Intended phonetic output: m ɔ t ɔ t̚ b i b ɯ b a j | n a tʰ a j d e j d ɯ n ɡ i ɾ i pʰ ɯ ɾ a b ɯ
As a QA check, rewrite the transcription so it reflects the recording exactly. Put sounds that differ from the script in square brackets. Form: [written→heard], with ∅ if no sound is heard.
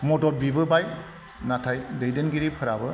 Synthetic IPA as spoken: m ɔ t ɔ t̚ b i b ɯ b a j | n a tʰ a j d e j d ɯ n ɡ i ɾ i pʰ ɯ ɾ a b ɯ